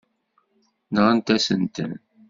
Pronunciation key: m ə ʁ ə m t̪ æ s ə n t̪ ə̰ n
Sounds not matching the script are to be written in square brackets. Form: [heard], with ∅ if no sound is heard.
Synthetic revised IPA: [n] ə ʁ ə [n] t̪ æ s ə n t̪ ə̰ n